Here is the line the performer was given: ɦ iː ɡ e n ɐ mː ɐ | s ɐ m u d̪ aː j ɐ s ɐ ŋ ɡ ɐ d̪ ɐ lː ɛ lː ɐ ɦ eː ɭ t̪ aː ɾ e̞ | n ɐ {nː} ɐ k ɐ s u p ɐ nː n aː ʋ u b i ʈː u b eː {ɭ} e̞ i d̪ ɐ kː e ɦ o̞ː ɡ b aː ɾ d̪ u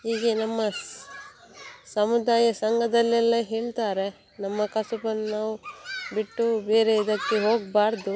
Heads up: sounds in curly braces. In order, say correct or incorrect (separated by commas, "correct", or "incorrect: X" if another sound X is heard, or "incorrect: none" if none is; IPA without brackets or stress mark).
incorrect: mː, incorrect: ɾ